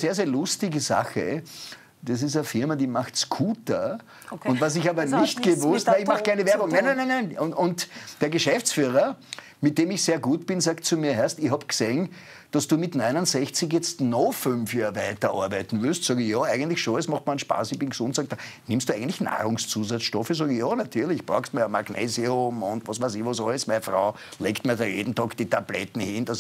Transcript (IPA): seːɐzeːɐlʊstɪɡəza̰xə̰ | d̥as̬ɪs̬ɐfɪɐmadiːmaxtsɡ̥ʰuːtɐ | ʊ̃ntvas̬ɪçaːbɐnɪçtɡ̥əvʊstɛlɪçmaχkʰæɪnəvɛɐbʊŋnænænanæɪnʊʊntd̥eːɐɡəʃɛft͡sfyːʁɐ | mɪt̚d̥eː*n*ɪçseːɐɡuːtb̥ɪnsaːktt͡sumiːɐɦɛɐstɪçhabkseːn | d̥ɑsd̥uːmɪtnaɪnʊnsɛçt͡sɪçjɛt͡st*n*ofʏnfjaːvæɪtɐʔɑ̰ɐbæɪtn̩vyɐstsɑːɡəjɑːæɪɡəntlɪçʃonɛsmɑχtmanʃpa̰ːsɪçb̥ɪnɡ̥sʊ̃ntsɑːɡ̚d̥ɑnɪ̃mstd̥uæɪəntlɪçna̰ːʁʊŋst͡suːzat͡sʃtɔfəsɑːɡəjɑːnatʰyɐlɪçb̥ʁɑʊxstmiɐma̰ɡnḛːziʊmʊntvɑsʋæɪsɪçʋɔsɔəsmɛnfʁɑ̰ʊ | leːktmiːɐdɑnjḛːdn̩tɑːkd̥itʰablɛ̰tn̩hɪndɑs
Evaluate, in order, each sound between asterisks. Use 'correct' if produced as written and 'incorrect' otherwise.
incorrect: m, correct

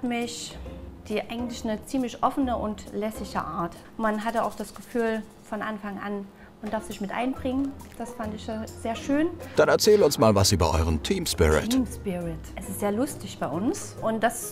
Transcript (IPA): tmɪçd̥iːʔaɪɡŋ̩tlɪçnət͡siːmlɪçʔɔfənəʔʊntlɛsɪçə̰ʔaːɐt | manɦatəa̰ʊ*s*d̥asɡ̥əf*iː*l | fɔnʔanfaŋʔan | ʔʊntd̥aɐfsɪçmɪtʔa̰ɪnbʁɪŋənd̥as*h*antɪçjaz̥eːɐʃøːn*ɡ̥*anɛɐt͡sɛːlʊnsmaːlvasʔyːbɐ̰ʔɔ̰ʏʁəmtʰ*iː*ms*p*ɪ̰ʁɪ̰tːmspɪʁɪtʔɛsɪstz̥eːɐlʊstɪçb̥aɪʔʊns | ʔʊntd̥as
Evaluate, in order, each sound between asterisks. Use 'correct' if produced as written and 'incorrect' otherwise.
incorrect: x, incorrect: yː, incorrect: f, incorrect: d̥, correct, correct

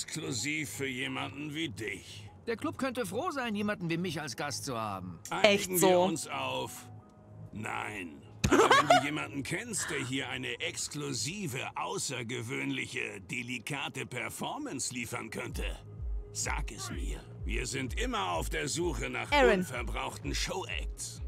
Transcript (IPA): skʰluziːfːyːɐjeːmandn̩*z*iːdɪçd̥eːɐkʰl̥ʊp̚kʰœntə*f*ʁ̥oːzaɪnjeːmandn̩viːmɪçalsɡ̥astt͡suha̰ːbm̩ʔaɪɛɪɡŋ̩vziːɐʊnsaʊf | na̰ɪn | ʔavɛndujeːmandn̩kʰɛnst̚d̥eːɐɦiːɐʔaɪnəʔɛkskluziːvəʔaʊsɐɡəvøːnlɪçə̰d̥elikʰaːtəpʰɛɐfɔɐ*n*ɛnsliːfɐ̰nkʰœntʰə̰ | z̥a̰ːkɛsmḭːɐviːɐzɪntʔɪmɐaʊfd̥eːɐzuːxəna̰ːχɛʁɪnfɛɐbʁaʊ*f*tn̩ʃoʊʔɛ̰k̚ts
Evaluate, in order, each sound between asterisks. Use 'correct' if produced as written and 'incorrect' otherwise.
incorrect: v, correct, incorrect: m, incorrect: x

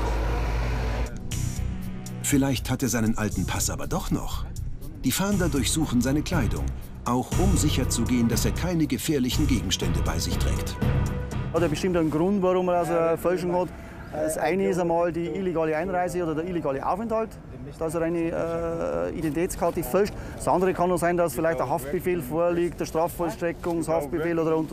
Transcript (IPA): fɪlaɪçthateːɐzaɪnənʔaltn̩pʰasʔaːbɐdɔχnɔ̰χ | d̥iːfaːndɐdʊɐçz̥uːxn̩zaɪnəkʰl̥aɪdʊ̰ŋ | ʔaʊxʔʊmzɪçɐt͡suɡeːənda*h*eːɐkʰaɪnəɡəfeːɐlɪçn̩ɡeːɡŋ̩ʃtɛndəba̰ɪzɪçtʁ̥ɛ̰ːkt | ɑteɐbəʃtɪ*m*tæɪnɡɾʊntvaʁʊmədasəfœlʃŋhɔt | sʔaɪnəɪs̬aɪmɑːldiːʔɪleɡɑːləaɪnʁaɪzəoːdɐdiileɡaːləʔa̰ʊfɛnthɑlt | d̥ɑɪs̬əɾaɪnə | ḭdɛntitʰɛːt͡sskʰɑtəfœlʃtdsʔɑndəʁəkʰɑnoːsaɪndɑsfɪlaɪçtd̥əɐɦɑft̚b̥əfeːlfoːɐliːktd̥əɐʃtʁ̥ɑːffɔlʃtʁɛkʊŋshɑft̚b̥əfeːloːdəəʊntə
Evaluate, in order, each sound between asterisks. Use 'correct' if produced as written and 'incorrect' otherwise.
incorrect: s, correct

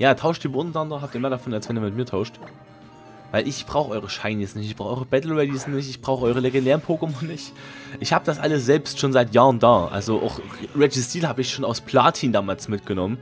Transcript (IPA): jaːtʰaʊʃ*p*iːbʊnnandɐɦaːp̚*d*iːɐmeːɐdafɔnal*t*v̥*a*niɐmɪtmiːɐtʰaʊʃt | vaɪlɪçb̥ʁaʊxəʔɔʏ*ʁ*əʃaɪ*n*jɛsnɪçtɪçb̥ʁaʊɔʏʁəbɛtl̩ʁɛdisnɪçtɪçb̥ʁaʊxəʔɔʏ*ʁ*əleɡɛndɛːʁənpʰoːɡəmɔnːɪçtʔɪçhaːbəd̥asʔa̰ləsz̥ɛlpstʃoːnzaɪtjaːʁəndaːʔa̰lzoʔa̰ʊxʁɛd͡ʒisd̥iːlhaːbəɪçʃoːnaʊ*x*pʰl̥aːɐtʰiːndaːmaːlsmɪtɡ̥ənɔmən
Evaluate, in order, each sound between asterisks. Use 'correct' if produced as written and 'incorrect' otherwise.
incorrect: t, incorrect: t, incorrect: s, incorrect: ɛ, correct, correct, correct, incorrect: s

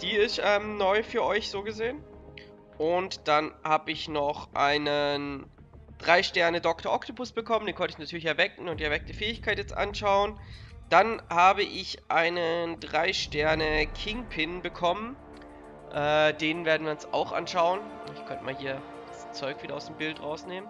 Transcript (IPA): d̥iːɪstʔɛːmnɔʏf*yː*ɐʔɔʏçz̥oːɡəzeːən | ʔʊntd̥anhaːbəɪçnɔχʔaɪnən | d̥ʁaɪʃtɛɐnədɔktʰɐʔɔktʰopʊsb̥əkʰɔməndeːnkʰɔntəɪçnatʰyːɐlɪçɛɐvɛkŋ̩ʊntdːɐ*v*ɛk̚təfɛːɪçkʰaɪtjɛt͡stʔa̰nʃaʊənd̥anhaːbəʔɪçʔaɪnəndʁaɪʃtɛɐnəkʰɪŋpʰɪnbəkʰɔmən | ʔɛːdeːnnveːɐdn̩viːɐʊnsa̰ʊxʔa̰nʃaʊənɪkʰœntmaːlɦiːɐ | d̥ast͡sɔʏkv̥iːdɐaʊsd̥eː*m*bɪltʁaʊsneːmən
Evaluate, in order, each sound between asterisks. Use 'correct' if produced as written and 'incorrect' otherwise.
correct, correct, correct

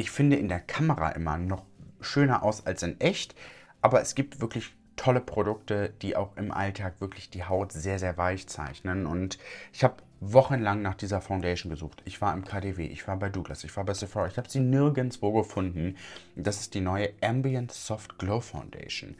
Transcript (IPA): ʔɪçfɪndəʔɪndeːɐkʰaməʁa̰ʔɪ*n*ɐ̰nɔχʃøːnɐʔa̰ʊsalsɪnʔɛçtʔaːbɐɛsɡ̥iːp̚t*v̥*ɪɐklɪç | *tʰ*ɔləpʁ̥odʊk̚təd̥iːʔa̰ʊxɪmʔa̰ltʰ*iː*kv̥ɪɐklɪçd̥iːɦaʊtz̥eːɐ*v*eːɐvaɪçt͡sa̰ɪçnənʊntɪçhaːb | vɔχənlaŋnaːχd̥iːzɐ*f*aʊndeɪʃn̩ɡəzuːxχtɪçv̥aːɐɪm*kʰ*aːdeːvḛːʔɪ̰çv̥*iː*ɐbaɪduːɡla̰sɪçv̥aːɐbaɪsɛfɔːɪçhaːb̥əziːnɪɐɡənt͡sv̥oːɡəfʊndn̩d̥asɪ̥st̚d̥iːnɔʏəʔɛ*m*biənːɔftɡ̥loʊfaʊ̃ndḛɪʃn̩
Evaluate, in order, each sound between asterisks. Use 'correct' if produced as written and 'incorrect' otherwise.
incorrect: m, correct, correct, incorrect: aː, incorrect: z, correct, correct, incorrect: aː, correct

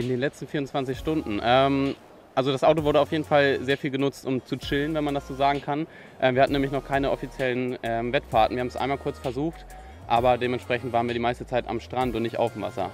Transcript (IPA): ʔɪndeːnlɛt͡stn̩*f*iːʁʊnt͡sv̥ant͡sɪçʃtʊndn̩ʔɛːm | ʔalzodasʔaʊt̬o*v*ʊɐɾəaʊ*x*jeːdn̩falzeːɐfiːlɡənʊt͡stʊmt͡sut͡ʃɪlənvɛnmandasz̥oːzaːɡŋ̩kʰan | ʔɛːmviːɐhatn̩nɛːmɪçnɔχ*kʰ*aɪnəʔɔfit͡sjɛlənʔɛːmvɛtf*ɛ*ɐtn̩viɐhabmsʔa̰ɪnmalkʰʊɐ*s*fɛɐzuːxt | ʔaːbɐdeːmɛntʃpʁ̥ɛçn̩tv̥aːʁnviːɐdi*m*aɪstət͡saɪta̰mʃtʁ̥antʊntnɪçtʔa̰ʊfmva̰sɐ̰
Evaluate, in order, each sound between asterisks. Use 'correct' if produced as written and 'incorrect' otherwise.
correct, correct, incorrect: f, correct, incorrect: a, incorrect: t͡s, correct

